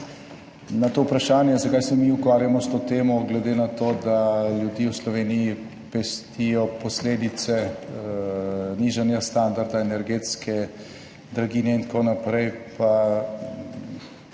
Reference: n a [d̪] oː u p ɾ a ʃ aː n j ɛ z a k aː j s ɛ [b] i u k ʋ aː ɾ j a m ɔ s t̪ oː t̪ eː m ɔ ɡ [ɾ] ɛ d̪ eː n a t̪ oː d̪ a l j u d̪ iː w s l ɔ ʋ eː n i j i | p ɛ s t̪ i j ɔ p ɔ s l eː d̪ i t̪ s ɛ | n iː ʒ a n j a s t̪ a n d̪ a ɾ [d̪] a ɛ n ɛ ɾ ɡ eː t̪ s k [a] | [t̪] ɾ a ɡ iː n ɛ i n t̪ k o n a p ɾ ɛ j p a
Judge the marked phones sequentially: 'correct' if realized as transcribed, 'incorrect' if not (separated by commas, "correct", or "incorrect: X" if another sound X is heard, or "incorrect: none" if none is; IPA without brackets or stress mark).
incorrect: t̪, incorrect: m, incorrect: l, correct, incorrect: ɛ, incorrect: d̪